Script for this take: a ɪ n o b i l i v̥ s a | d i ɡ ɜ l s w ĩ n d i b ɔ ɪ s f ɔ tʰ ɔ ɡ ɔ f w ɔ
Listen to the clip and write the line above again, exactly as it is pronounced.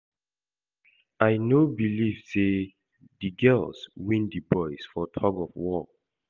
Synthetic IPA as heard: a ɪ n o b i l i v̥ s e | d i ɡ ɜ l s w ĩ n d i b ɔ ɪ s f ɔ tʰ ɔ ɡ ɔ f w ɔ

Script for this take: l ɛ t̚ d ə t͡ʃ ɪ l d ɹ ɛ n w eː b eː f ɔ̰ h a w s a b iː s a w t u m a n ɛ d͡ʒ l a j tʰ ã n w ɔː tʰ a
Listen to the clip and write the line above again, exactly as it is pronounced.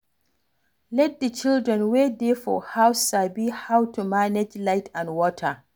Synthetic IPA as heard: l ɛ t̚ d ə t͡ʃ ɪ l d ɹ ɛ n w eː d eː f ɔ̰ h a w s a b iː h a w t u m a n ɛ d͡ʒ l a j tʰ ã n w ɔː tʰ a

